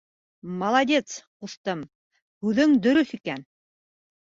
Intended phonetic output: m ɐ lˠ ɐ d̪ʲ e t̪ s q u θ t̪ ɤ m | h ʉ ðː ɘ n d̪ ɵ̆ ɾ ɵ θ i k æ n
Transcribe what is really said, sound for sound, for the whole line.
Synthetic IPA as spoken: m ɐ lˠ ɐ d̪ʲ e t̪ s q u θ t̪ ɤ m | h ʉ ð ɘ ŋ d̪ ɵ̆ ɾ ɵ θ i k æ n